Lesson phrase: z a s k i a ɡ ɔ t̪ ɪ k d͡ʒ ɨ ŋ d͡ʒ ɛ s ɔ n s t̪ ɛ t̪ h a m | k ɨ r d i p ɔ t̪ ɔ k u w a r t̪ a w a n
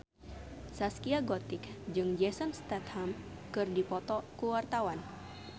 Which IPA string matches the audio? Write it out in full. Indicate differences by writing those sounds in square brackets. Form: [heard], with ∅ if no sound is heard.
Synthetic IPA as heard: [s] a s k i a ɡ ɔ t̪ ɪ k d͡ʒ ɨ ŋ d͡ʒ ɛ s ɔ n s t̪ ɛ t̪ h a m | k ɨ r d i p ɔ t̪ ɔ k u w a r t̪ a w a n